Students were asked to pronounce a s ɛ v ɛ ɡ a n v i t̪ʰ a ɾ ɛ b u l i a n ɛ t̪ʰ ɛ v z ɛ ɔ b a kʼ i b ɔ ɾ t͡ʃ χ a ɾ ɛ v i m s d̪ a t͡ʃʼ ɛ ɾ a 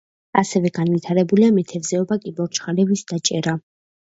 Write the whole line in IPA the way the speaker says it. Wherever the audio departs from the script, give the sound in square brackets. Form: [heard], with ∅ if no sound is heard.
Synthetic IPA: a s ɛ v ɛ ɡ a n v i t̪ʰ a ɾ ɛ b u l i a [m] ɛ t̪ʰ ɛ v z ɛ ɔ b a kʼ i b ɔ ɾ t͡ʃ χ a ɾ ɛ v i [∅] s d̪ a t͡ʃʼ ɛ ɾ a